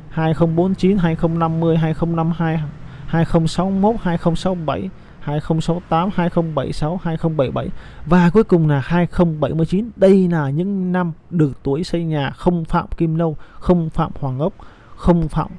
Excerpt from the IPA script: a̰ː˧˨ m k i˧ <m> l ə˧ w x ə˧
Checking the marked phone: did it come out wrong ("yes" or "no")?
no